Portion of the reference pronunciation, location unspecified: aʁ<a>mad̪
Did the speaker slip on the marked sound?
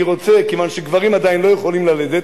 yes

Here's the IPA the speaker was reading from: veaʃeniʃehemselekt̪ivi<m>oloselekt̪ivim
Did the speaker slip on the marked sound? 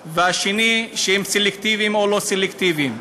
no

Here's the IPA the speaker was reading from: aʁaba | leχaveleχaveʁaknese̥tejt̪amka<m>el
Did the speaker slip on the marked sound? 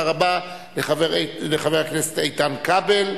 yes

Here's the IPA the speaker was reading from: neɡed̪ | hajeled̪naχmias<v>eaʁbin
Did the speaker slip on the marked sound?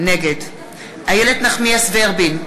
no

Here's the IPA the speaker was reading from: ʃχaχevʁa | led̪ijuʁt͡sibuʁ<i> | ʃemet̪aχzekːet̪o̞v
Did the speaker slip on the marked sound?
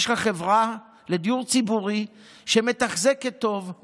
no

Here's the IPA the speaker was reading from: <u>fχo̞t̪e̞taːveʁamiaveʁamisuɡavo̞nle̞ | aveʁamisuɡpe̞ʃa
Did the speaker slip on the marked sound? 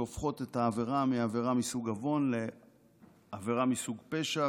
yes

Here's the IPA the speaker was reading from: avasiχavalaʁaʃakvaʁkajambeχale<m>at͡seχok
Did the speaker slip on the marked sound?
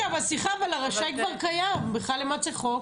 no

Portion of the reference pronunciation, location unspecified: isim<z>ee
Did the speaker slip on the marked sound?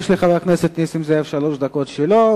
no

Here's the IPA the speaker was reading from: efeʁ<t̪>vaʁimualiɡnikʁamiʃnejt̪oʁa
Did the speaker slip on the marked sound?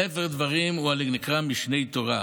yes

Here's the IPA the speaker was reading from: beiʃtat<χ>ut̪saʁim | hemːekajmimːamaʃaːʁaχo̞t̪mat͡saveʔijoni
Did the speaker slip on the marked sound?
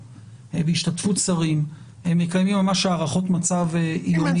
yes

